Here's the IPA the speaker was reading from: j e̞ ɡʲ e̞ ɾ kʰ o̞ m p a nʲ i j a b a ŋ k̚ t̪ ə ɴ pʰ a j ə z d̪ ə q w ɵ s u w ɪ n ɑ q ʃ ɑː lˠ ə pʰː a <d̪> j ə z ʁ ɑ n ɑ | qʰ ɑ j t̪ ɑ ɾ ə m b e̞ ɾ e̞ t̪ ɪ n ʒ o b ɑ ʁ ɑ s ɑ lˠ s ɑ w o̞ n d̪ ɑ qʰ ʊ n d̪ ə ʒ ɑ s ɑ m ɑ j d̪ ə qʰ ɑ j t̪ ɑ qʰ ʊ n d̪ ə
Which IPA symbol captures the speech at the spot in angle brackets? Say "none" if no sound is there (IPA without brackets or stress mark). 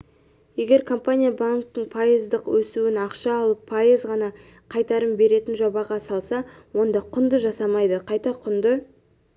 none